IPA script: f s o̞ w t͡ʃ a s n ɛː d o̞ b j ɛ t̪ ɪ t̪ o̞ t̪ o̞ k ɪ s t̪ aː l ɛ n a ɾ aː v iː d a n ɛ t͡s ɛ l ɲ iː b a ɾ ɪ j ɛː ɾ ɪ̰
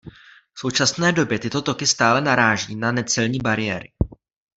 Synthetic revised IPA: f s o̞ w t͡ʃ a s n ɛː d o̞ b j ɛ t̪ ɪ t̪ o̞ t̪ o̞ k ɪ s t̪ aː l ɛ n a ɾ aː ʒ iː n a n ɛ t͡s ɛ l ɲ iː b a ɾ ɪ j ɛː ɾ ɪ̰